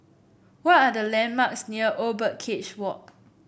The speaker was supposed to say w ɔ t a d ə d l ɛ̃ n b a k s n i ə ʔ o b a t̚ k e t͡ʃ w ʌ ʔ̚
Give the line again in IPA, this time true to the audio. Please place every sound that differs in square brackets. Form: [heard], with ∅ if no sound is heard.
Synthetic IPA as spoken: w ɔ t a d ə [∅] l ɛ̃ n [m] a k s n i ə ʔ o b [ə] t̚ [kʰ] e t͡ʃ w [ɔ] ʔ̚